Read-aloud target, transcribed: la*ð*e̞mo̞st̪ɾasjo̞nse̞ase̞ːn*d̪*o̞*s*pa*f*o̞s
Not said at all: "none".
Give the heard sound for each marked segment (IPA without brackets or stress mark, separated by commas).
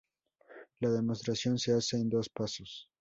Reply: ð, d̪, s, s